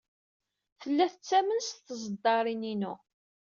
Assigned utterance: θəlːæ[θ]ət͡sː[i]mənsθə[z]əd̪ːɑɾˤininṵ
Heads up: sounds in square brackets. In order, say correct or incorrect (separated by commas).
correct, incorrect, correct